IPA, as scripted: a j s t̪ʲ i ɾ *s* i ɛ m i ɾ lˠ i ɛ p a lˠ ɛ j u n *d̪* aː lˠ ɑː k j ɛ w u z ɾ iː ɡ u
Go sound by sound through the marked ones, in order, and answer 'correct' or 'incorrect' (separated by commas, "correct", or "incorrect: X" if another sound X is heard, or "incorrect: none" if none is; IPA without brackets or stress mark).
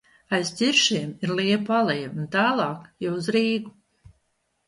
incorrect: ʃ, incorrect: t̪